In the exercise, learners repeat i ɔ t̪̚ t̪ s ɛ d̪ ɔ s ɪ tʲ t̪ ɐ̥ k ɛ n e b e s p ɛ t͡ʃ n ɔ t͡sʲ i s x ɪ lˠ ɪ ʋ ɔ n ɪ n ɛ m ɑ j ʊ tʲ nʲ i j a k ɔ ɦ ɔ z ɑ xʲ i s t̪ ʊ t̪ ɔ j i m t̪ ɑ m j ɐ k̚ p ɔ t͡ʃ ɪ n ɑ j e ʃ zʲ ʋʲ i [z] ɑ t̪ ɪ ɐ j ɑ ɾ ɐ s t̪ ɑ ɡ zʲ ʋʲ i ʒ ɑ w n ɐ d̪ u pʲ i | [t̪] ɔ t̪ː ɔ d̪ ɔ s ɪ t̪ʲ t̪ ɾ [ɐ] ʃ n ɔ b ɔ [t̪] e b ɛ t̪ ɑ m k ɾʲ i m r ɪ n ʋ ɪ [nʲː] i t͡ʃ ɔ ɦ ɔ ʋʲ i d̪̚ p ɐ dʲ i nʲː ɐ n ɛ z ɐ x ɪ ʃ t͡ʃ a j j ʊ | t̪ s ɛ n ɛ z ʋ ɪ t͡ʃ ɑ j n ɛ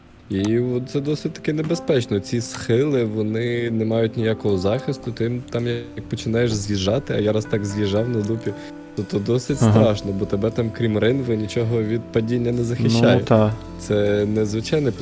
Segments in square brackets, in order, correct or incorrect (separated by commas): incorrect, correct, incorrect, correct, incorrect